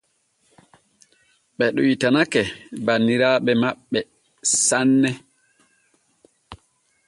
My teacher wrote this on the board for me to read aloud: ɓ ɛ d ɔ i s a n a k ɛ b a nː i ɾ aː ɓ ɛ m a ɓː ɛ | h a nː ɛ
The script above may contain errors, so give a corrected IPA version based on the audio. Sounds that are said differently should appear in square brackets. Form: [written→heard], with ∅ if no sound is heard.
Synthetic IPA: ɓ ɛ [d→ɗ] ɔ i [s→t] a n a k ɛ b a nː i ɾ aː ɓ ɛ m a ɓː ɛ | [h→s] a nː ɛ